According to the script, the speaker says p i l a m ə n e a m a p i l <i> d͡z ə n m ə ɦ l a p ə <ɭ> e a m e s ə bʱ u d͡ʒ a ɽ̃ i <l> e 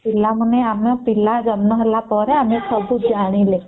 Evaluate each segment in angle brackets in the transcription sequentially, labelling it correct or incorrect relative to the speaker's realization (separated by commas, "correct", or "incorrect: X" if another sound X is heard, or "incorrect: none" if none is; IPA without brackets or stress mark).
incorrect: a, incorrect: ɾ, correct